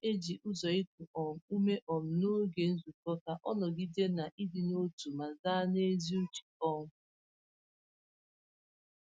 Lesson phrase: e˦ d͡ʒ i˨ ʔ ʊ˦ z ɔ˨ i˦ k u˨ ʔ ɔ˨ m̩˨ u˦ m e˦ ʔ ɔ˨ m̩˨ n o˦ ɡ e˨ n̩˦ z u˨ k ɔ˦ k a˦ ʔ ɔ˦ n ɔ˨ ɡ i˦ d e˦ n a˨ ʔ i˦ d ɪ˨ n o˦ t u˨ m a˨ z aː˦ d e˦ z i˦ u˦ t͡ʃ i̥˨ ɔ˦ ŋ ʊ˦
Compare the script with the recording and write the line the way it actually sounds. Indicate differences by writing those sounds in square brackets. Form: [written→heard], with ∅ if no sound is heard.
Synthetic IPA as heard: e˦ d͡ʒ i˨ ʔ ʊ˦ z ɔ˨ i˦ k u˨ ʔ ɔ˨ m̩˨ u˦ m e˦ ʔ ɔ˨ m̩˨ n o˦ ɡ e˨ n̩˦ z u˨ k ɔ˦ k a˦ ʔ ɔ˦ n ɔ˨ ɡ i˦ d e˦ n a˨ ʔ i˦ d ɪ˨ n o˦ t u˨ m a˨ z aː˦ [d→n] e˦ z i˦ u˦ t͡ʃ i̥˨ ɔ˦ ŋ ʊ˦